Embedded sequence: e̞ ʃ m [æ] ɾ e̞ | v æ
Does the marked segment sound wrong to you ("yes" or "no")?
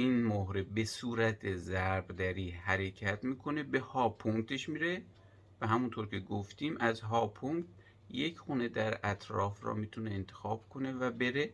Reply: yes